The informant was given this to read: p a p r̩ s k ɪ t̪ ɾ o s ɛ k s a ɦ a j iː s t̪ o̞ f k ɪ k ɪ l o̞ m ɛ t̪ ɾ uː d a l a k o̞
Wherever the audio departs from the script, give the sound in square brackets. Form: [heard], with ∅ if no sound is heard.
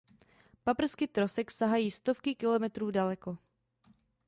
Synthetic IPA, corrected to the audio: p a p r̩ s k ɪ t̪ ɾ o s ɛ k s a ɦ a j iː s t̪ o̞ f k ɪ k ɪ l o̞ m ɛ t̪ ɾ uː d a l [ɛ] k o̞

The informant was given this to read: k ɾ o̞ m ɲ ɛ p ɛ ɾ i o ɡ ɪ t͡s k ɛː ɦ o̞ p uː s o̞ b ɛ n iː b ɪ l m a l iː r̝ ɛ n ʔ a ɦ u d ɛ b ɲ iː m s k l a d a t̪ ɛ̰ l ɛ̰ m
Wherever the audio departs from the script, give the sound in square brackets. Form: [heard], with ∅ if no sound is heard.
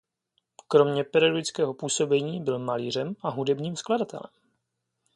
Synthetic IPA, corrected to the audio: k ɾ o̞ m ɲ ɛ p ɛ ɾ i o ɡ ɪ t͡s k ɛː ɦ o̞ p uː s o̞ b ɛ [ɲ] iː b ɪ l m a l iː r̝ ɛ [m] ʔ a ɦ u d ɛ b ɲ iː m s k l a d a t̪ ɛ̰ l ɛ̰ m

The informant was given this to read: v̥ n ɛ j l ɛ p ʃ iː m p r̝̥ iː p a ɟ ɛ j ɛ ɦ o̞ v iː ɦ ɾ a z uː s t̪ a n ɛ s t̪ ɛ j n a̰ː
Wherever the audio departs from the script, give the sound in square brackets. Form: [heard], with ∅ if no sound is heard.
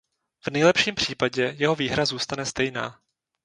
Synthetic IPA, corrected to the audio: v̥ n ɛ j l ɛ p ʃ iː m p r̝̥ iː p a ɟ ɛ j ɛ ɦ o̞ v iː ɦ ɾ a z uː s t̪ a n ɛ s t̪ ɛ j n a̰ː

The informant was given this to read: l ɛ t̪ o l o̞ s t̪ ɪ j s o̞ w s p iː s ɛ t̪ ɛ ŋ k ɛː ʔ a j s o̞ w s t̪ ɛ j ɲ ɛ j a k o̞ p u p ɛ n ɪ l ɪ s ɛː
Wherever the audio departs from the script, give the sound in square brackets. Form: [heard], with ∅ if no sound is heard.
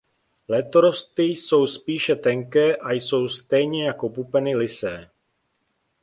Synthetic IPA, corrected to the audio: l ɛ t̪ o [ɾ] o̞ s t̪ ɪ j s o̞ w s p iː [ʃ] ɛ t̪ ɛ ŋ k ɛː ʔ a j s o̞ w s t̪ ɛ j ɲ ɛ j a k o̞ p u p ɛ n ɪ l ɪ s ɛː

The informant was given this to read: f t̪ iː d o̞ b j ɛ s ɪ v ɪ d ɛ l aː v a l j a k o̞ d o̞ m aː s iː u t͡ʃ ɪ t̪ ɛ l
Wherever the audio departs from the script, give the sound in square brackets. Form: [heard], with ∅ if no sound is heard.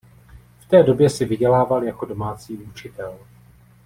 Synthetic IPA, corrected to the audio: f t̪ [ɛː] d o̞ b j ɛ s ɪ v ɪ [ɟ] ɛ l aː v a l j a k o̞ d o̞ m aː [t͡s] iː u t͡ʃ ɪ t̪ ɛ l

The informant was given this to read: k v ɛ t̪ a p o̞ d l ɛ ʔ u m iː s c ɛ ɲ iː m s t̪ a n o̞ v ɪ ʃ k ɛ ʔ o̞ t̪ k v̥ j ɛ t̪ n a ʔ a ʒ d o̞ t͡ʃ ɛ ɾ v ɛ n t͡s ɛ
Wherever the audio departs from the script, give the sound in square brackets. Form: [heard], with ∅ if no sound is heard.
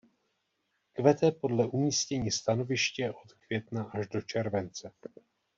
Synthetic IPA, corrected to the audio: k v ɛ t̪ [ɛ] p o̞ d l ɛ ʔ u m iː s c ɛ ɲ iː [∅] s t̪ a n o̞ v ɪ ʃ [c] ɛ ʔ o̞ t̪ k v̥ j ɛ t̪ n a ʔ a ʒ d o̞ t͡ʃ ɛ ɾ v ɛ n t͡s ɛ

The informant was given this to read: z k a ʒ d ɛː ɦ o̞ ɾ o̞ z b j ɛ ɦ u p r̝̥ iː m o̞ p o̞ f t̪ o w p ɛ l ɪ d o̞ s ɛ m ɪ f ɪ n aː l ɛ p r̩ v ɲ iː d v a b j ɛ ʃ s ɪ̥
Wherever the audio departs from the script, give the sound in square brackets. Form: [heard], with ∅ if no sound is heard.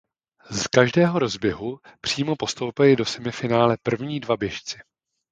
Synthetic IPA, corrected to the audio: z k a ʒ d ɛː ɦ o̞ ɾ o̞ z b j ɛ ɦ u p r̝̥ iː m o̞ p o̞ [s] t̪ o w p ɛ l ɪ d o̞ s ɛ m ɪ f ɪ n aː l ɛ p r̩ v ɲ iː d v a b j ɛ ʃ [t͡s] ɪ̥

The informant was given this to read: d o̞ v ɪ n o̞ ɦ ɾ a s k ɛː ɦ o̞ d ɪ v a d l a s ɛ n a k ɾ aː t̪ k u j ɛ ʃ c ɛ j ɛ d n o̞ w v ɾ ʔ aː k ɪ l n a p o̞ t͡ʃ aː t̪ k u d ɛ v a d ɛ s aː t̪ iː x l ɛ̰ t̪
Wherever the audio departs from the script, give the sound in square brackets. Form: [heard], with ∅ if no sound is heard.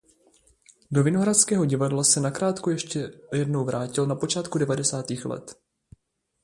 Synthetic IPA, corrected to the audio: d o̞ v ɪ n o̞ ɦ ɾ a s k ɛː ɦ o̞ [ɟ] ɪ v a d l a s ɛ n a k ɾ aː t̪ k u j ɛ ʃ c ɛ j ɛ d n o̞ w v ɾ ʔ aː [c] ɪ l n a p o̞ t͡ʃ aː t̪ k u d ɛ v a d ɛ s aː t̪ iː x l ɛ̰ t̪

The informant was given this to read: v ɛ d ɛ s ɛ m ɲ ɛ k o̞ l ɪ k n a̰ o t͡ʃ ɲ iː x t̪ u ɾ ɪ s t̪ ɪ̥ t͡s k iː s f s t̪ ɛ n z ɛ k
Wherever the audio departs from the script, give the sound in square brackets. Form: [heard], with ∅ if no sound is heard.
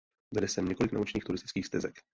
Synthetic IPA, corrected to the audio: v ɛ d ɛ s ɛ m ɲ ɛ k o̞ l ɪ k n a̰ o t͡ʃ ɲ iː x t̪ u ɾ ɪ s t̪ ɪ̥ t͡s k iː [x] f s t̪ ɛ [∅] z ɛ k

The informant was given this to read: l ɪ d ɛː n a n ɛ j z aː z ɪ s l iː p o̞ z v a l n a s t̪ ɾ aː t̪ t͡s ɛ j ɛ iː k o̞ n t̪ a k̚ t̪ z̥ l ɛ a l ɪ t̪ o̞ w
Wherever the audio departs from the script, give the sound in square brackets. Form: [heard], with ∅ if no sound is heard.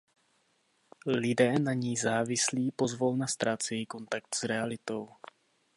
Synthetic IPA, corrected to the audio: l ɪ d ɛː n a [ɲ] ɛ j z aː [v] ɪ s l iː p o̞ z v a l n a s t̪ ɾ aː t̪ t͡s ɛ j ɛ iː k o̞ n t̪ a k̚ t̪ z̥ [ɾ] ɛ a l ɪ t̪ o̞ w

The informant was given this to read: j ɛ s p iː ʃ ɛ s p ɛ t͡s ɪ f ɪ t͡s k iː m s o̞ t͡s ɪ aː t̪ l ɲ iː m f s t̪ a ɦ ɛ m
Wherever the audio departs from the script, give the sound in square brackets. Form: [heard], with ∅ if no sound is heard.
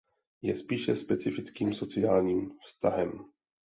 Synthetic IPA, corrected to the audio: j ɛ s p iː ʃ ɛ s p ɛ t͡s ɪ f ɪ t͡s k iː m s o̞ t͡s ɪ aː [∅] l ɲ iː m f s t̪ a ɦ ɛ m

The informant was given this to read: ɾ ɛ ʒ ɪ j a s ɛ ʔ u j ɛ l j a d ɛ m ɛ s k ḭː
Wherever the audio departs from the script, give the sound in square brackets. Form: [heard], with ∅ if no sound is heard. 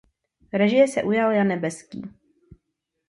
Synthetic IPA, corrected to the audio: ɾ ɛ ʒ ɪ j [ɛ] s ɛ ʔ u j [a] l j a [n] ɛ [b] ɛ s k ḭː

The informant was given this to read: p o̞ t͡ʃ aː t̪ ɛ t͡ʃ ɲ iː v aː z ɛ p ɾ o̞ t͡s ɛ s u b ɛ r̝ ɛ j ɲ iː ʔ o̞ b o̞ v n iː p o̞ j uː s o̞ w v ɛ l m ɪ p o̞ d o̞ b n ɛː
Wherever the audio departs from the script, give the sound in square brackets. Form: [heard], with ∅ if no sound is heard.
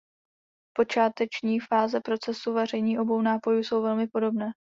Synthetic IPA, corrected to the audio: p o̞ t͡ʃ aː t̪ ɛ t͡ʃ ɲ iː [f] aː z ɛ p ɾ o̞ t͡s ɛ s u [v] ɛ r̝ ɛ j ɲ iː ʔ o̞ b o̞ [w] n [aː] p o̞ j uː s o̞ w v ɛ l m ɪ p o̞ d o̞ b n ɛː

